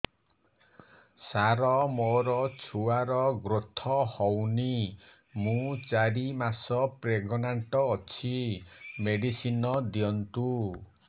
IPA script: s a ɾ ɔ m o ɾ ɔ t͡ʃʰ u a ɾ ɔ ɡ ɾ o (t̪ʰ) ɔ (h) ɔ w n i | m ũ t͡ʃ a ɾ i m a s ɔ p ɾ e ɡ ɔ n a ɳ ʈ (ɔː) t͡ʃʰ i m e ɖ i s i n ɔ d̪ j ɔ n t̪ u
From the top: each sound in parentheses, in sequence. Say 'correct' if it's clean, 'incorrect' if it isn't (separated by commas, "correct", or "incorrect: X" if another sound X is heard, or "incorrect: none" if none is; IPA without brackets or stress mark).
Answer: correct, correct, correct